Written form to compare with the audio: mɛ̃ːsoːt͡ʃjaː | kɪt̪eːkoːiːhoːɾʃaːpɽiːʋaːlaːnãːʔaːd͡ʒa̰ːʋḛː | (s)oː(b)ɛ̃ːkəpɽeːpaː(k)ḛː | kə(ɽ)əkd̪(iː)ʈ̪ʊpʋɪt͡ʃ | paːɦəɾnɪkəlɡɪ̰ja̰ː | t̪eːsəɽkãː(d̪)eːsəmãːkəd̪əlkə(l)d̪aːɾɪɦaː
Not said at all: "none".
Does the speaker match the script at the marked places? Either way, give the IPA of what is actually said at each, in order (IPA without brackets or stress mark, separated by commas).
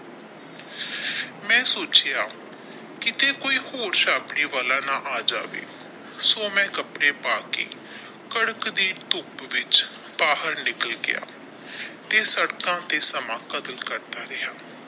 s, m, k, ɽ, iː, t̪, ɾ